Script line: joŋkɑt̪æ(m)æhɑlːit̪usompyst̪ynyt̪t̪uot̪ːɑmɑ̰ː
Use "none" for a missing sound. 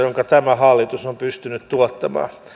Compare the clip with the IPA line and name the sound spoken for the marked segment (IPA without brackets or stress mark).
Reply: m